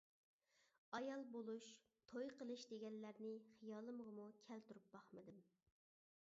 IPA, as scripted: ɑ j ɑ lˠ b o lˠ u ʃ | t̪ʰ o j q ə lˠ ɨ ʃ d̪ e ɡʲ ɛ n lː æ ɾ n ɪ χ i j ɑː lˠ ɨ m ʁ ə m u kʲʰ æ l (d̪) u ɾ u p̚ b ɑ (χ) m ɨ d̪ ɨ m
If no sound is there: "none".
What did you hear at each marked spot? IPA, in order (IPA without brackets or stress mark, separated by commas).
t̪, χ